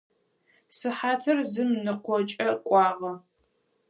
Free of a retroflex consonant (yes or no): yes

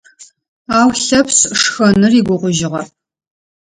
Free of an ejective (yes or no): yes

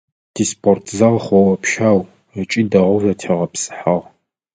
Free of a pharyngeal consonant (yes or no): no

